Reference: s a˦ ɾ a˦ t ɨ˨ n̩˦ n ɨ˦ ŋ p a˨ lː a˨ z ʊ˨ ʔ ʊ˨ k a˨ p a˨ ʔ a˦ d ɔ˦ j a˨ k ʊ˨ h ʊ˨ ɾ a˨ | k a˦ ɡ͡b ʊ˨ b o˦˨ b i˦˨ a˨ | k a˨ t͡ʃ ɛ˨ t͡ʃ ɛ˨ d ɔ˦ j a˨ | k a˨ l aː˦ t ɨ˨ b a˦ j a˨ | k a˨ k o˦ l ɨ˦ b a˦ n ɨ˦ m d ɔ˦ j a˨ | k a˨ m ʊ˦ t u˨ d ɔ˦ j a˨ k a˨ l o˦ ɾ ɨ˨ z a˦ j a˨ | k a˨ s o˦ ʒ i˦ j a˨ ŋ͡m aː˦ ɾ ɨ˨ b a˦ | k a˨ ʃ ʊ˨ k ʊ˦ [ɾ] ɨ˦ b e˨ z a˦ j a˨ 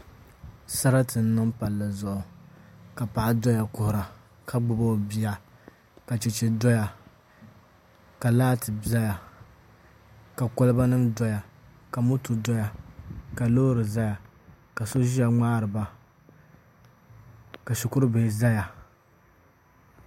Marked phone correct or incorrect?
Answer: correct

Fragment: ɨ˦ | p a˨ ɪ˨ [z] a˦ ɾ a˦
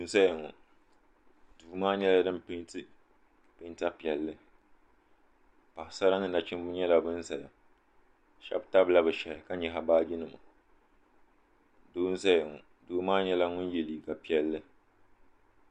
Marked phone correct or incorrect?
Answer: incorrect: s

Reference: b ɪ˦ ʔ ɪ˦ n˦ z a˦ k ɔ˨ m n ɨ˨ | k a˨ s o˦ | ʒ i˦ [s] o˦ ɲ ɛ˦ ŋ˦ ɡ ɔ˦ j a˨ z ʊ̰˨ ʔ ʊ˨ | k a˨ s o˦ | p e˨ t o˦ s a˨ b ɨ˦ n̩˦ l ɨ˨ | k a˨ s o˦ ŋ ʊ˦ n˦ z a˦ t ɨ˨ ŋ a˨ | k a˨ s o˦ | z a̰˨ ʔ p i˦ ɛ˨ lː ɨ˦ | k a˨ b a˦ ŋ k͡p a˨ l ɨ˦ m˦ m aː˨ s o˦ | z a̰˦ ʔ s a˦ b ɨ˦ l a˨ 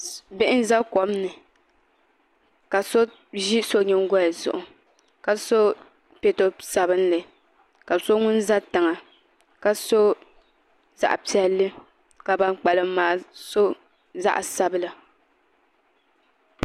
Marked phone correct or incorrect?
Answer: correct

